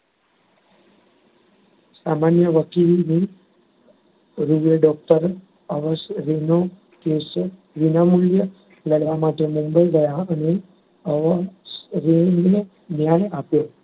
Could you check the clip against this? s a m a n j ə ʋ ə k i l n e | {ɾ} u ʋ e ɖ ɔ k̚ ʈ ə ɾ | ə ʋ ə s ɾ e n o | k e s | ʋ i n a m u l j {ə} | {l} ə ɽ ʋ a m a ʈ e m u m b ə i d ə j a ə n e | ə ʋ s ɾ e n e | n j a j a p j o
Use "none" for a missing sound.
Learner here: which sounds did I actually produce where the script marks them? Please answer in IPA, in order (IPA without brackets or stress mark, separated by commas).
ɾ, ə, l